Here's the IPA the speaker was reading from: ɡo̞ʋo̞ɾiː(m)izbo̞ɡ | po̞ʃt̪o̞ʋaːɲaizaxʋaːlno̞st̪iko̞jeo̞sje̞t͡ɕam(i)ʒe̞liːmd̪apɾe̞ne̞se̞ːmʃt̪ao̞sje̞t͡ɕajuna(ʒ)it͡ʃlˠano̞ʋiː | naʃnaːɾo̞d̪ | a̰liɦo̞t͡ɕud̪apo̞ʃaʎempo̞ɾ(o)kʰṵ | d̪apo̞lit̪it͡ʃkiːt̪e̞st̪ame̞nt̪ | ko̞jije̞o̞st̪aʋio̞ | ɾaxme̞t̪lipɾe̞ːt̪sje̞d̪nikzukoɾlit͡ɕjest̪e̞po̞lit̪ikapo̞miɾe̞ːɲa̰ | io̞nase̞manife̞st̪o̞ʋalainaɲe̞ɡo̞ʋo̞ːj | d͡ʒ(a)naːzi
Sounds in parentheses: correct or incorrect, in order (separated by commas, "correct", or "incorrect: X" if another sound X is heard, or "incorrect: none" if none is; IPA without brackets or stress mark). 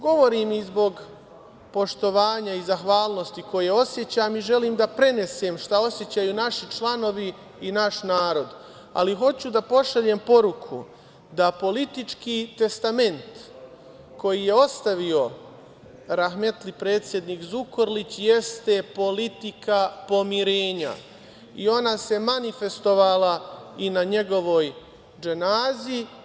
correct, correct, incorrect: ʃ, incorrect: u, incorrect: e